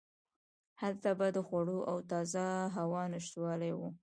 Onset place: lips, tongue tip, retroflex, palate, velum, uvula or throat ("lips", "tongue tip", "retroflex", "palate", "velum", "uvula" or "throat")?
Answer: throat